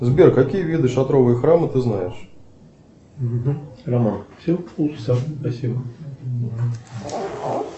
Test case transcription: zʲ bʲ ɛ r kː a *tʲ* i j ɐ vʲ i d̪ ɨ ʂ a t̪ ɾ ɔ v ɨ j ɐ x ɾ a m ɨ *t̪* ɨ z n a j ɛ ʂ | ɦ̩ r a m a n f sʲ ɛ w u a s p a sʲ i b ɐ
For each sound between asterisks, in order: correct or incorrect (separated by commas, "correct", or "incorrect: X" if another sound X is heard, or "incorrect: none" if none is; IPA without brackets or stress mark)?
incorrect: kʲ, correct